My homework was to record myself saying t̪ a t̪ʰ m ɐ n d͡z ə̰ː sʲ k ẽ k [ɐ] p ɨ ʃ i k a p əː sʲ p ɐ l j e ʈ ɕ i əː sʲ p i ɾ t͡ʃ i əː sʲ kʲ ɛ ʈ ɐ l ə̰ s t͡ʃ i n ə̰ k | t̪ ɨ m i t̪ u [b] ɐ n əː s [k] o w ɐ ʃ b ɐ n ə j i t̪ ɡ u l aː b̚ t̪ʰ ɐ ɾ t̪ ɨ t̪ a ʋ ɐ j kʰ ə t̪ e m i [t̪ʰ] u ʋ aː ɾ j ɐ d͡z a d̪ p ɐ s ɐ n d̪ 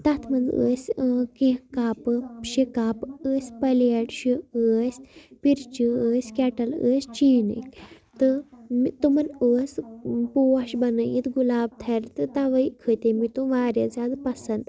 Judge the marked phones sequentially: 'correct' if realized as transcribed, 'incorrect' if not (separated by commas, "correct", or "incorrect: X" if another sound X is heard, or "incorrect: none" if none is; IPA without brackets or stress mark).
incorrect: a, incorrect: m, incorrect: p, incorrect: t̪